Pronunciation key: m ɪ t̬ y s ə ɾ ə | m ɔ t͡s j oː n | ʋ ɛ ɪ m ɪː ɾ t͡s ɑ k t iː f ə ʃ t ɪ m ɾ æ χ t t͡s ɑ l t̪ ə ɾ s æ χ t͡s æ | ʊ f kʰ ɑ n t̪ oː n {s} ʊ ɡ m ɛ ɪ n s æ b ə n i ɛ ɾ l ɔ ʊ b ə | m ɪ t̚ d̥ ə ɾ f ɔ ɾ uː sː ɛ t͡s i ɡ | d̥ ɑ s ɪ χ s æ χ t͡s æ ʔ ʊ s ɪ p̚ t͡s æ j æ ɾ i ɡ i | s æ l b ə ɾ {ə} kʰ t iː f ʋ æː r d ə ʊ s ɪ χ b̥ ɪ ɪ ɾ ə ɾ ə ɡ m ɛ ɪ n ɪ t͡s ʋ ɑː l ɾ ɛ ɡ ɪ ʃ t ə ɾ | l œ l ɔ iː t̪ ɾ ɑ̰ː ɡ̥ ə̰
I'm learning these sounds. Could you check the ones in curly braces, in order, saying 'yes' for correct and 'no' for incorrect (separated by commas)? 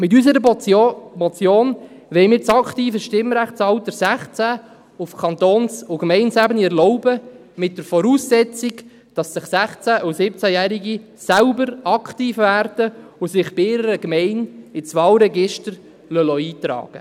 yes, no